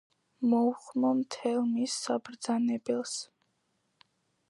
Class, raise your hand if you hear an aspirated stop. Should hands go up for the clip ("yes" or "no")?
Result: yes